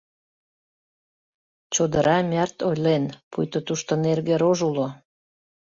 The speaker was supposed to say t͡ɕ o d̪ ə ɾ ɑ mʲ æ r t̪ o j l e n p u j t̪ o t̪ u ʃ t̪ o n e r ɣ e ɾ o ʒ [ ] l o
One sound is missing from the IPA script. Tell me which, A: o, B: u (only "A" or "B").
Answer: B